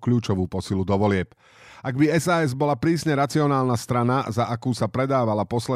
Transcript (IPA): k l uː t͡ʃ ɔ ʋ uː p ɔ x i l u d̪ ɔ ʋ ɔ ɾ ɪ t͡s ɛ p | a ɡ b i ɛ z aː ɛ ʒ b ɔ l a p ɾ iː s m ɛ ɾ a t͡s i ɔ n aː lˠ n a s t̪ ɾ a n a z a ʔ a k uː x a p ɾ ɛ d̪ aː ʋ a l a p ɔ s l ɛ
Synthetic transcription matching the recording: k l uː t͡ʃ ɔ ʋ uː p ɔ s i l u d̪ ɔ ʋ ɔ l ɪ ɛ p | a ɡ b i ɛ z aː ɛ z b ɔ l a p ɾ iː s ɲ ɛ ɾ a t͡s i ɔ n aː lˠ n a s t̪ ɾ a n a z a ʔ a k uː s a p ɾ ɛ d̪ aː ʋ a l a p ɔ s l ɛ